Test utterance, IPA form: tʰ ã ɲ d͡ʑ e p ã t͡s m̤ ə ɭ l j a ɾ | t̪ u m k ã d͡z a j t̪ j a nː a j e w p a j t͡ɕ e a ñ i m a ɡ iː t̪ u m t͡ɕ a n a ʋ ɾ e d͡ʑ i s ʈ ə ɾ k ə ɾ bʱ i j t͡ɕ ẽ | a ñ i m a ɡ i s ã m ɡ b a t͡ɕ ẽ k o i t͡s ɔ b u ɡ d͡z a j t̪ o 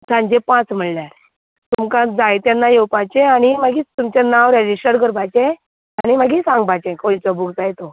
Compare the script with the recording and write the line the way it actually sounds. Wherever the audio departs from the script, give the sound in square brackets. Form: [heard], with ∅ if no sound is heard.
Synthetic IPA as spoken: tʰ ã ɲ d͡ʑ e p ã t͡s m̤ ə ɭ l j a ɾ | t̪ u m k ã d͡z a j t̪ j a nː a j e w p a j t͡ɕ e a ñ i m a ɡ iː t̪ u m t͡ɕ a n a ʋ ɾ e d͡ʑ i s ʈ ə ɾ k ə ɾ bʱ [a] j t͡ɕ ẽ | a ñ i m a ɡ i s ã [ŋ] ɡ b a t͡ɕ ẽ k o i t͡s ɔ b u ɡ d͡z a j t̪ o